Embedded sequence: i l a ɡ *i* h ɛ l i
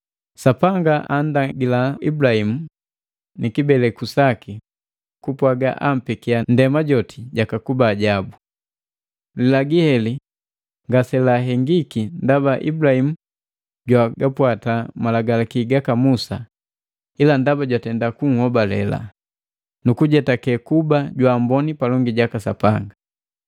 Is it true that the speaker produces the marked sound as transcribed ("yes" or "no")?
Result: yes